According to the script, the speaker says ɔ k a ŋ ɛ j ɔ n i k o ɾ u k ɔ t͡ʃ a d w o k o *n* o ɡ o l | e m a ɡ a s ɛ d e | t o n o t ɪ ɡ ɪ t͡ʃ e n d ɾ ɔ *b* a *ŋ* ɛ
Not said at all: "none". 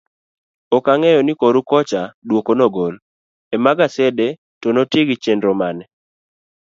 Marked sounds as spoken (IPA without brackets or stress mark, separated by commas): n, m, n